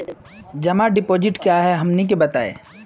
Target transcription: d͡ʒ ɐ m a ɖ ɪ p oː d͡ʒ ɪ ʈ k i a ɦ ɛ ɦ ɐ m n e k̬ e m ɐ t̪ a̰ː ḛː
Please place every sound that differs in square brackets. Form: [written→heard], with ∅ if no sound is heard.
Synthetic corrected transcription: d͡ʒ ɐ m a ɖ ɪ p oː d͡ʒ ɪ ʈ k [i→j] a ɦ ɛ ɦ ɐ m n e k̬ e [m→b] ɐ t̪ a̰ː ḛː